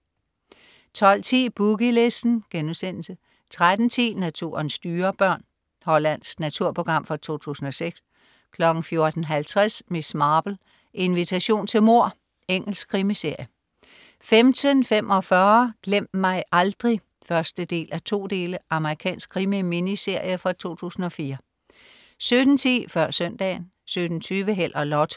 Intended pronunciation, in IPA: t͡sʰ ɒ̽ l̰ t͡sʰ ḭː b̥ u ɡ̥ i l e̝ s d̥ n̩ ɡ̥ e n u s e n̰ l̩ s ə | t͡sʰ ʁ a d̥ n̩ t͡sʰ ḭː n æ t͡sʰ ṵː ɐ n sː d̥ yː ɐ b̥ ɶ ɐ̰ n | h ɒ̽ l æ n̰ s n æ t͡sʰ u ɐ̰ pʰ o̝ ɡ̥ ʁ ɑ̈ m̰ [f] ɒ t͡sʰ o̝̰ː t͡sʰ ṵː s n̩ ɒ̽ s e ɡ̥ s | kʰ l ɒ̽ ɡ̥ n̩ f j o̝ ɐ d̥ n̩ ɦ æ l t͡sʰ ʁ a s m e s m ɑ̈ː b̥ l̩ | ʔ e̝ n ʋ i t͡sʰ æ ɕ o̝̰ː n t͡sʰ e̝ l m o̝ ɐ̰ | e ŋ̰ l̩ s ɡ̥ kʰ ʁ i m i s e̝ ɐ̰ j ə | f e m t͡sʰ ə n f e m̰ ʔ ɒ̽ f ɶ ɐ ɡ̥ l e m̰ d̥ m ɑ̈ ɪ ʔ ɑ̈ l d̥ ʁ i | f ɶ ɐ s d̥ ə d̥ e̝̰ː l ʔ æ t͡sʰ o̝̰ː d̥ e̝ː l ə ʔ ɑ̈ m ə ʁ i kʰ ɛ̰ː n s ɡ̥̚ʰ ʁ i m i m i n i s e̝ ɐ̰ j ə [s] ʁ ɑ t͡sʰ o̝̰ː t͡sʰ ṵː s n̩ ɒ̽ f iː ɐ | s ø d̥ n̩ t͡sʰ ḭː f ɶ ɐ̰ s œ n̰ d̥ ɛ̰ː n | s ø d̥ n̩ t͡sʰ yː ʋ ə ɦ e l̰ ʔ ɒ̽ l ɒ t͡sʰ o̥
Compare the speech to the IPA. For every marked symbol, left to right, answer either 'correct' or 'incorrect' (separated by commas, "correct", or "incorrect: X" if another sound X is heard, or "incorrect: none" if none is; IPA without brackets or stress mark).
correct, incorrect: f